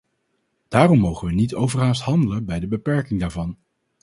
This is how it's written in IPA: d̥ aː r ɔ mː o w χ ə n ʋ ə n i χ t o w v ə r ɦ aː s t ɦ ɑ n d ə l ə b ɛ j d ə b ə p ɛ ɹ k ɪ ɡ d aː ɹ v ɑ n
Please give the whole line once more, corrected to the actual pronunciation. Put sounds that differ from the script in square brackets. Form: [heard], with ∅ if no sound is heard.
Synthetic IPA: d̥ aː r ɔ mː o w χ ə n ʋ ə n i [∅] t o w v ə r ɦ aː s t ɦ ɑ n d ə l ə b ɛ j d ə b ə p ɛ ɹ k ɪ [ŋ] d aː ɹ v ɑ n